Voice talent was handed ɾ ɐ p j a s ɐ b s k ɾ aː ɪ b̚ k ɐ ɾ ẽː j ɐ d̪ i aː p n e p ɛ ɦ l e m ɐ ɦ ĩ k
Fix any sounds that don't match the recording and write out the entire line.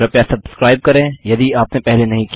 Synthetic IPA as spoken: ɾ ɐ p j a s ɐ b s k ɾ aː ɪ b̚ k ɐ ɾ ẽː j ɐ d̪ i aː p n e p ɛ ɦ l e n ɐ ɦ ĩ k

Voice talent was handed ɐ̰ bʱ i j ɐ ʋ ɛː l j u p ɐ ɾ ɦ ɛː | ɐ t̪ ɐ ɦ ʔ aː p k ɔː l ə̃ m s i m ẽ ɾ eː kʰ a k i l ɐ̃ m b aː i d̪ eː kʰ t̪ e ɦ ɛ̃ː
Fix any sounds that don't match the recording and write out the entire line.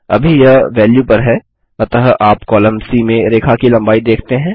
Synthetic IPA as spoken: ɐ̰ bʱ i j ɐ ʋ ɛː l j u p ɐ ɾ ɦ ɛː | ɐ t̪ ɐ ɦ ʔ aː p k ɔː l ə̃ m s i m ẽ ɾ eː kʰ a k i l ɐ̃ m b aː i d̪ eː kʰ t̪ e ɦ ɛ̃ː

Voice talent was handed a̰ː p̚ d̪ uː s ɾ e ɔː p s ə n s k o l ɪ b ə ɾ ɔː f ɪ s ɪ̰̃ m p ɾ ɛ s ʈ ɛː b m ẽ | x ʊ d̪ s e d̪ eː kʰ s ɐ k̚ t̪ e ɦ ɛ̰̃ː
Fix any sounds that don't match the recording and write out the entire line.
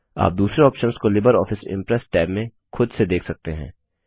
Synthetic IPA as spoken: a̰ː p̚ d̪ uː s ɾ e ɔː p ʃ ə n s k o l ɪ b ə ɾ ɔː f ɪ s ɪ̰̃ m p ɾ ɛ s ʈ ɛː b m ẽ | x ʊ d̪ s e d̪ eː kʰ s ɐ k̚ t̪ e ɦ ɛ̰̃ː

